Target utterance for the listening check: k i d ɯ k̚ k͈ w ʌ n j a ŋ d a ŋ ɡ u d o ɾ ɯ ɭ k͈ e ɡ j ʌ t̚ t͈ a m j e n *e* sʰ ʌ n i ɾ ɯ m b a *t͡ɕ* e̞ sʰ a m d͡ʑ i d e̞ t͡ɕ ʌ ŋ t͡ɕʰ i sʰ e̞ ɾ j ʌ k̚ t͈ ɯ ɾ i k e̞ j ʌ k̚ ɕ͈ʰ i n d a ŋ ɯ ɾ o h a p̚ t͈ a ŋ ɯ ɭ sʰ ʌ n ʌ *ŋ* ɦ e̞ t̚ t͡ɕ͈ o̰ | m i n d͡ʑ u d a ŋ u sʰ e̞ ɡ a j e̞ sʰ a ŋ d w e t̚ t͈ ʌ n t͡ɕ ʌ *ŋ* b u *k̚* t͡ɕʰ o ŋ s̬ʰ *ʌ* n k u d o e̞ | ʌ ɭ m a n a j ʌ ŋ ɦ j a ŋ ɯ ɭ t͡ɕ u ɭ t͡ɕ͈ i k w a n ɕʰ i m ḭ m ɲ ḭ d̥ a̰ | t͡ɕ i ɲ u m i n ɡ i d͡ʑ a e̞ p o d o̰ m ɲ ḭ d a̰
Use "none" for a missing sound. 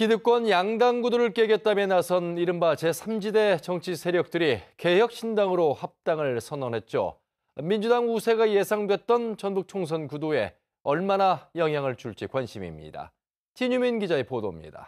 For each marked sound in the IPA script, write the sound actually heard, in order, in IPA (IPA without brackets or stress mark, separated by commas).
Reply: a, t͡ɕ, n, n, k̚, ʌ